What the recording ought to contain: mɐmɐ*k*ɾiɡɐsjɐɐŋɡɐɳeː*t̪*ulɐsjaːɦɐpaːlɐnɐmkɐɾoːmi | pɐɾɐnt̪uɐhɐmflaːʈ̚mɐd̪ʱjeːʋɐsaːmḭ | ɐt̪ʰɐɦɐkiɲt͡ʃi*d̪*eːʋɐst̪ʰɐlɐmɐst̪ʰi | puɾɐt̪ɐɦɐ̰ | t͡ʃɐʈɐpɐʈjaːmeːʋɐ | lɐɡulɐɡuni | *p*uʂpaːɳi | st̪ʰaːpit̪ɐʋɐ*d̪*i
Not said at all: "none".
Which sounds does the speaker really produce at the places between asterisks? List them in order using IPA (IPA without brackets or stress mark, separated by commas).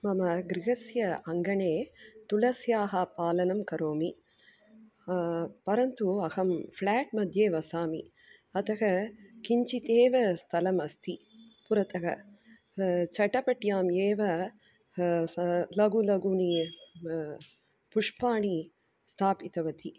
ɡ, t̪, t̪, p, t̪